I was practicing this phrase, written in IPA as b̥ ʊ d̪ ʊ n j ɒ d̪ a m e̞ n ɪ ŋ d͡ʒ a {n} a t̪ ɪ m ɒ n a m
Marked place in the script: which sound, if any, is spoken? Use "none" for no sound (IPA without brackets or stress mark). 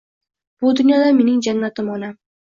nː